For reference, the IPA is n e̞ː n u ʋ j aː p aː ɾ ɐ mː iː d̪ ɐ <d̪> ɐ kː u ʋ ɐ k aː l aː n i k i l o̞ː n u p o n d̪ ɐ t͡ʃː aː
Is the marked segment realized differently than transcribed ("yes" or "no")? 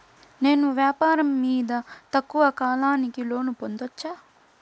yes